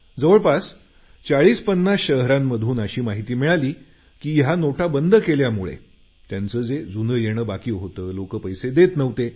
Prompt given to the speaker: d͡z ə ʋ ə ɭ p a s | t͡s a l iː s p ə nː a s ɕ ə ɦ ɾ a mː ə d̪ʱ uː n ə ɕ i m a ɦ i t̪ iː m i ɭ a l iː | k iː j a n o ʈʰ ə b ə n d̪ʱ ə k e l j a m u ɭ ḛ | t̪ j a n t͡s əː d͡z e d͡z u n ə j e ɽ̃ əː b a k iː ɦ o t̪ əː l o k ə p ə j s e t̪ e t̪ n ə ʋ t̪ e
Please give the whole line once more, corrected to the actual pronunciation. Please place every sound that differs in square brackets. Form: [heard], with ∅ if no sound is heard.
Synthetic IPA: d͡z ə ʋ ə ɭ p a s | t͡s a [ɭ] iː s p ə nː a s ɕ ə ɦ ɾ a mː ə d̪ʱ uː n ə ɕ [iː] m a ɦ i t̪ iː m i ɭ a l iː | k iː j a n o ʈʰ [a] b ə n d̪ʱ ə k e l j a m u ɭ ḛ | t̪ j a n t͡s əː d͡z e d͡z u n ə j e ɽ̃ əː b a k iː ɦ o t̪ əː l o k ə p ə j s e [d̪] e t̪ n ə ʋ t̪ e